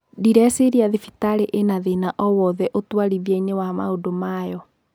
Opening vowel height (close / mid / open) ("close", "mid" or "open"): close